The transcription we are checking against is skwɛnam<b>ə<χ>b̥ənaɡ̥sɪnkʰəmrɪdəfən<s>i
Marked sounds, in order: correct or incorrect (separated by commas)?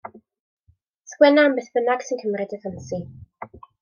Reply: correct, incorrect, correct